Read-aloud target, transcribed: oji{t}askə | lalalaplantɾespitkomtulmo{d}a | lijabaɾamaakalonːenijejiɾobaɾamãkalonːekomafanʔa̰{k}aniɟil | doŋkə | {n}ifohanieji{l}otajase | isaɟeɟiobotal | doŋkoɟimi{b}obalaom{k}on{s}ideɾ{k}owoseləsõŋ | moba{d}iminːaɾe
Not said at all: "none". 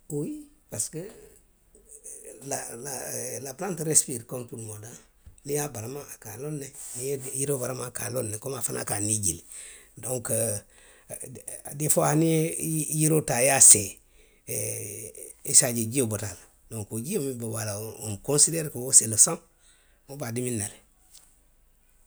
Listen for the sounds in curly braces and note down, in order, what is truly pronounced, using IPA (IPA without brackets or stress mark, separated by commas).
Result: p, d, k, d, ɾ, b, k, s, k, d